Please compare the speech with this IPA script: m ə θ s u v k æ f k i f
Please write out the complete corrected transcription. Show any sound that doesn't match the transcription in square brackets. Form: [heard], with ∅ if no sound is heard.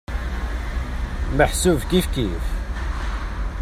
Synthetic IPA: m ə [ħ] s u v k [i] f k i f